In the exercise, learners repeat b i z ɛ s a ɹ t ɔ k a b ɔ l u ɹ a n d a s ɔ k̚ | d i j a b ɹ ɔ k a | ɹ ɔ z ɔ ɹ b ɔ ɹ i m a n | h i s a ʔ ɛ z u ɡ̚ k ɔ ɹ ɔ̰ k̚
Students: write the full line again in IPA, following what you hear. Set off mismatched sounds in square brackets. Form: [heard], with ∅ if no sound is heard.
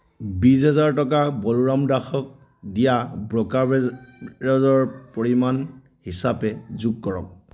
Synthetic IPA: b i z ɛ [z] a ɹ t ɔ k a b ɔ l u ɹ a [m] d a [x] ɔ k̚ | d i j a b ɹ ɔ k a | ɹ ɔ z ɔ ɹ [p] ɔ ɹ i m a n | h i s a [p] ɛ z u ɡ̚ k ɔ ɹ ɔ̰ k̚